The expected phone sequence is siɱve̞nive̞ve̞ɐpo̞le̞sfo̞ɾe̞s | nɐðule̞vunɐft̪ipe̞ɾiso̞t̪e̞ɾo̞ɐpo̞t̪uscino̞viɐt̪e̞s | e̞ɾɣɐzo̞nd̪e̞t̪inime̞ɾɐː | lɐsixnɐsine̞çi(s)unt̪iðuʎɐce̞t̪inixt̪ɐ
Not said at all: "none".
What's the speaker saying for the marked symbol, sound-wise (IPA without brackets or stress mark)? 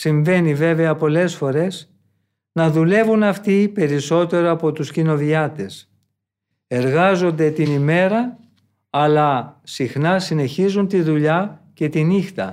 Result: z